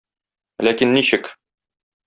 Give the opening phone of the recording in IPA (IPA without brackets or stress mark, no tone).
l